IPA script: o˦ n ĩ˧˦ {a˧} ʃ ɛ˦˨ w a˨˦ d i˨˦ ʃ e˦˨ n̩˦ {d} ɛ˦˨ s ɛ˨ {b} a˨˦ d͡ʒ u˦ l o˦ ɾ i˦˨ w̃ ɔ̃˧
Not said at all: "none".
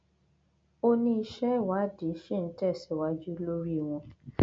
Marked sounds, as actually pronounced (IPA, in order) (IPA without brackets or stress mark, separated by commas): i˧, t, w